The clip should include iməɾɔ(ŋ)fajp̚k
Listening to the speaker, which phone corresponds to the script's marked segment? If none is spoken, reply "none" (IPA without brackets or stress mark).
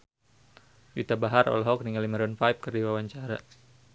n